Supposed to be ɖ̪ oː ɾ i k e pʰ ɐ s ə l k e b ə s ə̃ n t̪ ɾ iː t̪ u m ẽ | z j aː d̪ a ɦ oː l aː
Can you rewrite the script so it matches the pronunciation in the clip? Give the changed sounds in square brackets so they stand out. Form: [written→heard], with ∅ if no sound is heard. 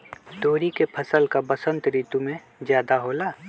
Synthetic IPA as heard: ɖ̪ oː ɾ i k e pʰ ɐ s ə l k [e→a] b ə s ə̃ n t̪ ɾ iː t̪ u m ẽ | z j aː d̪ a ɦ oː l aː